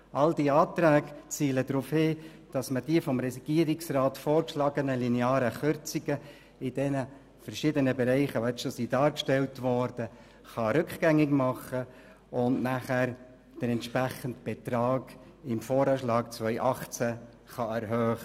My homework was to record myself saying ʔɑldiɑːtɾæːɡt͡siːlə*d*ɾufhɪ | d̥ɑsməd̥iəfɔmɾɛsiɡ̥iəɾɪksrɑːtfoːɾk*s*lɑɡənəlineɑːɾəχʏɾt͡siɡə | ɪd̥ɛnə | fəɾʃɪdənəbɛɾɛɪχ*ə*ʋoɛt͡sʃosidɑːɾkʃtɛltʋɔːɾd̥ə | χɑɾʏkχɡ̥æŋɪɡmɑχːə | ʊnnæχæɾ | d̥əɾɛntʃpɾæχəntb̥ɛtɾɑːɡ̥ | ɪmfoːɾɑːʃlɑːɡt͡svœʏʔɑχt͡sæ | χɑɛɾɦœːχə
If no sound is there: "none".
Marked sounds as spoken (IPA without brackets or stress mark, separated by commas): d, ʃ, ə